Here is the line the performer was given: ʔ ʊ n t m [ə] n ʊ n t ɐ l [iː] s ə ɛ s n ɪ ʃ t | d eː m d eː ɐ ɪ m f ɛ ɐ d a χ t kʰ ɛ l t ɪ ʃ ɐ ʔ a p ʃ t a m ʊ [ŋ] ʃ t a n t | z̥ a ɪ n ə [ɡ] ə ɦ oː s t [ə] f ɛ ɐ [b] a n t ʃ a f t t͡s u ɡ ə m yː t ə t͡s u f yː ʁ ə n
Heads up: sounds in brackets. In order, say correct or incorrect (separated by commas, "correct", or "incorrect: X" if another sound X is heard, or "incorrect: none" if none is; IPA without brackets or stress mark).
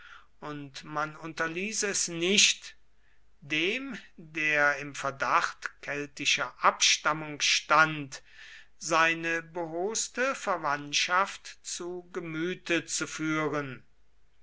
incorrect: a, correct, correct, incorrect: b, correct, incorrect: v